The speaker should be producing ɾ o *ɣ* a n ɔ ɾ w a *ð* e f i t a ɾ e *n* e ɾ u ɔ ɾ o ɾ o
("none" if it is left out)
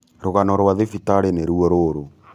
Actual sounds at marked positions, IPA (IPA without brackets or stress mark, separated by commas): ɣ, ð, n